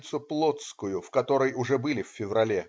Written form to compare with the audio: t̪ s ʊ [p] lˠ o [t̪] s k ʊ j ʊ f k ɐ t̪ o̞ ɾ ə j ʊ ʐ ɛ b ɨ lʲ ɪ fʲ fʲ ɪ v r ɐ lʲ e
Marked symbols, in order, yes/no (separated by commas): yes, yes